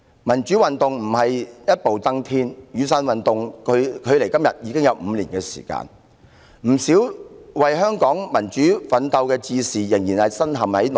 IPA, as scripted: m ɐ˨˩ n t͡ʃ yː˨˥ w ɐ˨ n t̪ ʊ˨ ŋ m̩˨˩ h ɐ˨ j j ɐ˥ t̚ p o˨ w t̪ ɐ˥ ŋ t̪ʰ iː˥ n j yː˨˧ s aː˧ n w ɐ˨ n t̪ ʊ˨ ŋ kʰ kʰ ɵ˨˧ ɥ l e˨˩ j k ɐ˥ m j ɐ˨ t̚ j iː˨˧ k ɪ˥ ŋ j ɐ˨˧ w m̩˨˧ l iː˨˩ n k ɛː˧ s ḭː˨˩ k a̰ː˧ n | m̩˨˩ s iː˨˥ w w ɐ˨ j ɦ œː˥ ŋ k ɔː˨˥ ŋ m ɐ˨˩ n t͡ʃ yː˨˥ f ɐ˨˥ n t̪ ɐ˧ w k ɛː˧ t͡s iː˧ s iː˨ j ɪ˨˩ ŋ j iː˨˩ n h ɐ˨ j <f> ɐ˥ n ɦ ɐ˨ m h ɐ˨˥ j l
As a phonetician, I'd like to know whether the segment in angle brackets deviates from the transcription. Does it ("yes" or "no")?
yes